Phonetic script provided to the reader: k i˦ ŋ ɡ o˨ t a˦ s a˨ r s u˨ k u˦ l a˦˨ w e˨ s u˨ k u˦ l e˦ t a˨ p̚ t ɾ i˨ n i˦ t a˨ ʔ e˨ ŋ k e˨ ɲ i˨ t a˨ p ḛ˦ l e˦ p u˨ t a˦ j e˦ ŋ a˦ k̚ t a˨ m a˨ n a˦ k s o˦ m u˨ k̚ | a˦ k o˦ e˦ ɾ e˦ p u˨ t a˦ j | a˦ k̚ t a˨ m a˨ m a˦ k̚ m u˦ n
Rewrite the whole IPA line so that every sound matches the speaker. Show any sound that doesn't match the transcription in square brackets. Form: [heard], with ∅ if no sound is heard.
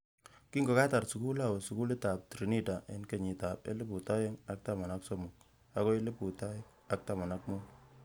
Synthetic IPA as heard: k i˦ ŋ ɡ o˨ [k] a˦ [t] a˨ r s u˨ k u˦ l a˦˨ w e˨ s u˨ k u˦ l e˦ t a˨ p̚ t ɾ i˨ n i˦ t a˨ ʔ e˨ [n] k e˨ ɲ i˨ t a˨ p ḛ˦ l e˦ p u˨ t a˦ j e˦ ŋ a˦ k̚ t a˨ m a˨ n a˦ k s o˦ m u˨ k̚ | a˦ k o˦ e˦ [l] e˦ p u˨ t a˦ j | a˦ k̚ t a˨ m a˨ [n] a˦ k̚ m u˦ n